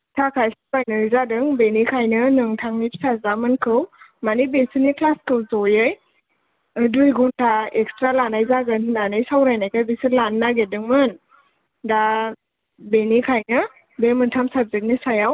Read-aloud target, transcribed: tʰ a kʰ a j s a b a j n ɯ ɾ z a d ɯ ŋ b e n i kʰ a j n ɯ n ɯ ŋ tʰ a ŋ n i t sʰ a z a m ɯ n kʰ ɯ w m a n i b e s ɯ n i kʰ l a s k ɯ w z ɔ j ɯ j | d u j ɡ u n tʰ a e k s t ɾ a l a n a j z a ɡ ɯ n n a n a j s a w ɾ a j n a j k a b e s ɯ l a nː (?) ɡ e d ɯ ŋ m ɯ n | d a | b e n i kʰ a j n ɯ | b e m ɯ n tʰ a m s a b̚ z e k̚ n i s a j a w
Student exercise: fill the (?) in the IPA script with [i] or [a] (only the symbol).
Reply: a